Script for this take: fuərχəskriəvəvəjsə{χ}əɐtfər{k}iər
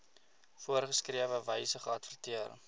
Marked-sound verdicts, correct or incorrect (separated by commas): correct, incorrect